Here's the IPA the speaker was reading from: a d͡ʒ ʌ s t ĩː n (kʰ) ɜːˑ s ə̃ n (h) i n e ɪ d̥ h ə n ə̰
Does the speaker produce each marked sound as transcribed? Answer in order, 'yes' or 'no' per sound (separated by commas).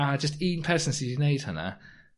no, no